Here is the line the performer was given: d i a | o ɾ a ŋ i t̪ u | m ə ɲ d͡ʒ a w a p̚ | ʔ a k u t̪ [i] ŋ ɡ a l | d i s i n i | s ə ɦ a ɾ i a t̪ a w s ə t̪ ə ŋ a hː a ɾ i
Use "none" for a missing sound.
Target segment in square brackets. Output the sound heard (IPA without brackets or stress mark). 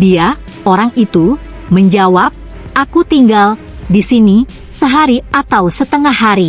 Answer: i